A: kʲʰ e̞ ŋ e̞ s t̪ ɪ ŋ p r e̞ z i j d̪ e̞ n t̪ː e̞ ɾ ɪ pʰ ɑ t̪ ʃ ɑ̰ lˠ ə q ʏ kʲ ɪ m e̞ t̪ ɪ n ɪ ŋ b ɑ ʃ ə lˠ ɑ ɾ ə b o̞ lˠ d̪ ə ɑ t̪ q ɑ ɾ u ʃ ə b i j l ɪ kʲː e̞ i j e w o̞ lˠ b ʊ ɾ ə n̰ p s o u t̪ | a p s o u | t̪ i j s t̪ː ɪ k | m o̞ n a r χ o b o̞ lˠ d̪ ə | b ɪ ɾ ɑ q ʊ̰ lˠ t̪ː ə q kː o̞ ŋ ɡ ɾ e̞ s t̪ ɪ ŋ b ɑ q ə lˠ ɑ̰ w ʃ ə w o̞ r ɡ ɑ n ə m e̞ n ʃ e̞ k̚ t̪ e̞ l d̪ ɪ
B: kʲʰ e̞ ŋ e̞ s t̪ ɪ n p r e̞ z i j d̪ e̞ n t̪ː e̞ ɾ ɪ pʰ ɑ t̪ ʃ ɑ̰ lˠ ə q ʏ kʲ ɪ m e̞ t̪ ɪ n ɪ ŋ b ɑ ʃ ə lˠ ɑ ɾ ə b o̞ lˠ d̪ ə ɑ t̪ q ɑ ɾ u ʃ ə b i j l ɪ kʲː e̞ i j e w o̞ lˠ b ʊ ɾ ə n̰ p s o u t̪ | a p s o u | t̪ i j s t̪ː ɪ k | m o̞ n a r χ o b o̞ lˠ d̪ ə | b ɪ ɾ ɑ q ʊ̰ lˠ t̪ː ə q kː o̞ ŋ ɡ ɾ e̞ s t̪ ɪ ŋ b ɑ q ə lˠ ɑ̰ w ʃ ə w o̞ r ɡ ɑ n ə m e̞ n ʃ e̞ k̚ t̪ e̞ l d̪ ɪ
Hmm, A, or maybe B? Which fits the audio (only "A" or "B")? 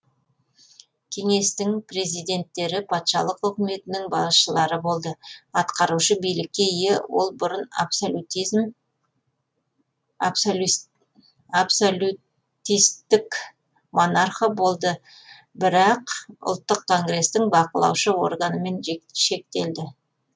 A